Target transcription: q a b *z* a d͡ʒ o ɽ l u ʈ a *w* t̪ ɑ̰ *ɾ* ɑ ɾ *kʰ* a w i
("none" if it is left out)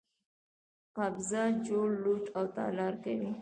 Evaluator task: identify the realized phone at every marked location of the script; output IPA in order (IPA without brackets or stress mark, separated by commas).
z, w, l, k